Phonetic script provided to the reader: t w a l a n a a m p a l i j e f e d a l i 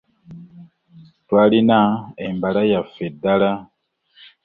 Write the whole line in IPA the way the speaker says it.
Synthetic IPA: t w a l i n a e m b a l a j a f e d a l a